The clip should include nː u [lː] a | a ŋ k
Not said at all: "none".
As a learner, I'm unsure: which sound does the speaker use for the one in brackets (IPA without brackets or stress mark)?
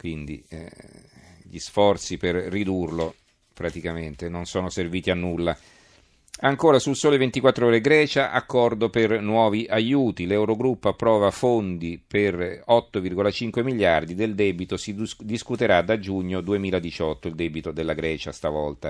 lː